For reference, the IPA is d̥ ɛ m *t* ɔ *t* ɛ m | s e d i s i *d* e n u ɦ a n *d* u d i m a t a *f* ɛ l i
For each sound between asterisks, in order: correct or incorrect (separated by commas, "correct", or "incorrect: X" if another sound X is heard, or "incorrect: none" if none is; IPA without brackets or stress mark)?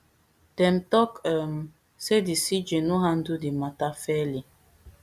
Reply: correct, incorrect: k, incorrect: d͡ʒ, correct, correct